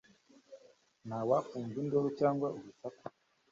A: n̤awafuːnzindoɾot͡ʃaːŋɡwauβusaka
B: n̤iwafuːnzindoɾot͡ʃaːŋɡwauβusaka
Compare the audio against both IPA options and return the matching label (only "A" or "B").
A